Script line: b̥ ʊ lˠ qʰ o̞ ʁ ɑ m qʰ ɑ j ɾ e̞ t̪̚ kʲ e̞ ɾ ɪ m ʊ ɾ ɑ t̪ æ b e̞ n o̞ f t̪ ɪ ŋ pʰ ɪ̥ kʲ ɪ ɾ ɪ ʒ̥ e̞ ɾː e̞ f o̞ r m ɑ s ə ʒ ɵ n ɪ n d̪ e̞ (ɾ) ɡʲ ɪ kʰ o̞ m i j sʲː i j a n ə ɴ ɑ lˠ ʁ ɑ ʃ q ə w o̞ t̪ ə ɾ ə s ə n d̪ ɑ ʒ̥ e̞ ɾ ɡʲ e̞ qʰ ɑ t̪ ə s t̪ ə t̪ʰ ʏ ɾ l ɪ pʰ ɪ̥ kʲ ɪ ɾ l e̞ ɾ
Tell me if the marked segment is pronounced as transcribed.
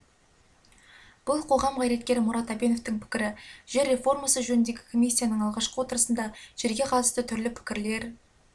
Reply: no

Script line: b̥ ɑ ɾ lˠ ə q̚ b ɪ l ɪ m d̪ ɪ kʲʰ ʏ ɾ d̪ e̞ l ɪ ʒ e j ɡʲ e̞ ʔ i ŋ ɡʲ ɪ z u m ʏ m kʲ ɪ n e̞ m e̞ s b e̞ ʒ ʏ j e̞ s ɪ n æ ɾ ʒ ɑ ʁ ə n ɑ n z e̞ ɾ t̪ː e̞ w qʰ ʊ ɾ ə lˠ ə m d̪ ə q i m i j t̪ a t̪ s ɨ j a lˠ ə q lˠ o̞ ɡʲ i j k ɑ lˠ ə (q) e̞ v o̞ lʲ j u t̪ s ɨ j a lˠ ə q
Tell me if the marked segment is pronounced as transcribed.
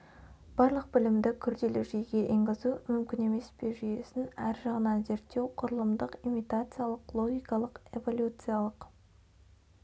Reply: yes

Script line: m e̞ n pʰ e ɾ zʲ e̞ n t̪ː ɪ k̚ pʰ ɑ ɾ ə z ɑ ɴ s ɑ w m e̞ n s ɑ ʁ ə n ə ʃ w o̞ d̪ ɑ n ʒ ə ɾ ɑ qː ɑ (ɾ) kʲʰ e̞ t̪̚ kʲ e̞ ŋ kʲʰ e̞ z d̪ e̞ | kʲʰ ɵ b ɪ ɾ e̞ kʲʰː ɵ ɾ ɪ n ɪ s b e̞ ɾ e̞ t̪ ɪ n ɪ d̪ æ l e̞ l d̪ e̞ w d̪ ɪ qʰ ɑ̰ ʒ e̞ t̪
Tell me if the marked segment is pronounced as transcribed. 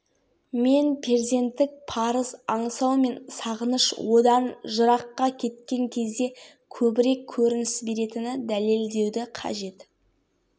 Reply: no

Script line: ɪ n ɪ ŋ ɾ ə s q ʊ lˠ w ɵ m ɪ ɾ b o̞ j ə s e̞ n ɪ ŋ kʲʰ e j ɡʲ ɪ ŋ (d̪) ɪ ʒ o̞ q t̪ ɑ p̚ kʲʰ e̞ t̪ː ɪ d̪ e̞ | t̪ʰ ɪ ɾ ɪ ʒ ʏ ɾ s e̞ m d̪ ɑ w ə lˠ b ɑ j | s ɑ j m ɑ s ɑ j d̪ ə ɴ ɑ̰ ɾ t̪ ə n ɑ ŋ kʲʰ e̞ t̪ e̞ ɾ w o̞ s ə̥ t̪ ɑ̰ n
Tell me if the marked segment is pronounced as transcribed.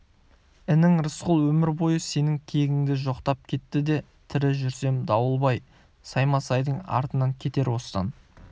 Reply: yes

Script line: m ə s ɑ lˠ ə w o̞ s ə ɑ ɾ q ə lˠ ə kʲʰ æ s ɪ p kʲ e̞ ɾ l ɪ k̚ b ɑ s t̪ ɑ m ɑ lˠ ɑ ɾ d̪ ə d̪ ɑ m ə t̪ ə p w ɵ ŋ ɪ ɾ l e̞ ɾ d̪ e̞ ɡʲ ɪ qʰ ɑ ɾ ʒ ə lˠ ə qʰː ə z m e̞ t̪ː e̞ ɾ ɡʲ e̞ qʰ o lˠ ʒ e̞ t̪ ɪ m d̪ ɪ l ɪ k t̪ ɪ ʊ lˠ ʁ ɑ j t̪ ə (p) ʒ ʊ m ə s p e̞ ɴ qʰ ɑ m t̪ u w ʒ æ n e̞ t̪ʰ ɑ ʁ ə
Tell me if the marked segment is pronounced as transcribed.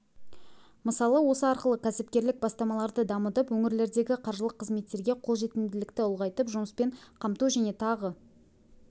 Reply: yes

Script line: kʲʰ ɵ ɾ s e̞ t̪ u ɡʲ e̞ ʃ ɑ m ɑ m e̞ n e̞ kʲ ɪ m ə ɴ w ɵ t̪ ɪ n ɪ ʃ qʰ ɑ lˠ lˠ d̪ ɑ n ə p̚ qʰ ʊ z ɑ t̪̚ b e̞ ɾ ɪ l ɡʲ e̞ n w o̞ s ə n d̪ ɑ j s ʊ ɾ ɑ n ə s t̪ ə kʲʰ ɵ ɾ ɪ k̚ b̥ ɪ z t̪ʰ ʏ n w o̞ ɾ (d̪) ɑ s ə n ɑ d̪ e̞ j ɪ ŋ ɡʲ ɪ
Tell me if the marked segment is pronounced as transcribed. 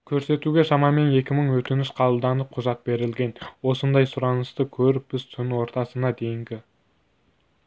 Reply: no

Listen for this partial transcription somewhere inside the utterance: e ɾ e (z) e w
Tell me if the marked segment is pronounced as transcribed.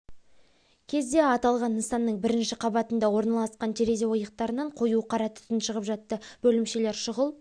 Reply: yes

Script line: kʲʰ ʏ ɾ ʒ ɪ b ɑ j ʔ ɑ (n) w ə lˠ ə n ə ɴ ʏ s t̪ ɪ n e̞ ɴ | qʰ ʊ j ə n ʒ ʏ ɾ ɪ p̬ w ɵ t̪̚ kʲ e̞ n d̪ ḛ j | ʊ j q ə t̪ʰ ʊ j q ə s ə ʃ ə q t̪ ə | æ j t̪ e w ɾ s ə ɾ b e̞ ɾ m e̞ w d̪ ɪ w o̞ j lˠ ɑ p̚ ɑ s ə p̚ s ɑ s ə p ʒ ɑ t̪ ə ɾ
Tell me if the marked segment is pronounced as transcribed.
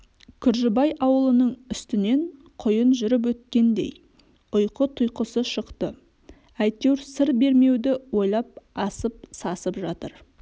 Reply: no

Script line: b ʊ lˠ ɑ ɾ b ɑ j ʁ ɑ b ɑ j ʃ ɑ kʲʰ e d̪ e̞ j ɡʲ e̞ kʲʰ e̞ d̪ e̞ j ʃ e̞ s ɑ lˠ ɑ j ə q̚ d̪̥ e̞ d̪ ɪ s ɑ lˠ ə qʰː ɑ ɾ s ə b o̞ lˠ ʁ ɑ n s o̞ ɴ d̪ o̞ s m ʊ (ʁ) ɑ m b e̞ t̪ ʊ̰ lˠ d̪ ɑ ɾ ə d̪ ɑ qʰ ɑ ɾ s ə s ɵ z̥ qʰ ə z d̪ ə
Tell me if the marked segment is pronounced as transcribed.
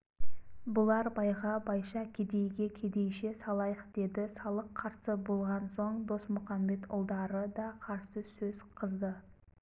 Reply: no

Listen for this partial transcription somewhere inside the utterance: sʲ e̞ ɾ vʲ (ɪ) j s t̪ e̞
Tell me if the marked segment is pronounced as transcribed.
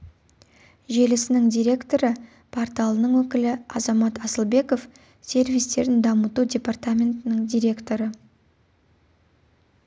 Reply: no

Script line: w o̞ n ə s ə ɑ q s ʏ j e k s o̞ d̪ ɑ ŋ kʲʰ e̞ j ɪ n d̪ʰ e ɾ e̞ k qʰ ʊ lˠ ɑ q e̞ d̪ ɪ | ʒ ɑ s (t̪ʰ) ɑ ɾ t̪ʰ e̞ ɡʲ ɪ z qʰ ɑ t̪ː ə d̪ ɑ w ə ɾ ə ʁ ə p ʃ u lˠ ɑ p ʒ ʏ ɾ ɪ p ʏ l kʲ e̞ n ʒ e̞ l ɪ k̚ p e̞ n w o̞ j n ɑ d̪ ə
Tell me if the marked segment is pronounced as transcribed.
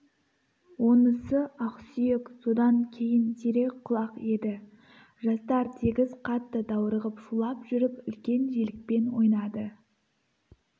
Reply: no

